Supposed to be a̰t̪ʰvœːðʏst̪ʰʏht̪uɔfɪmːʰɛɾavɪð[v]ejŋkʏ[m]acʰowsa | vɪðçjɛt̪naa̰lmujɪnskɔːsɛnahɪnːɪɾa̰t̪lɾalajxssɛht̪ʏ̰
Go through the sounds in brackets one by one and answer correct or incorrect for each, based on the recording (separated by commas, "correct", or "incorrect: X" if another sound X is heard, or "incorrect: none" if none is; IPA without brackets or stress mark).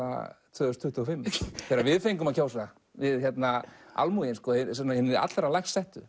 incorrect: f, correct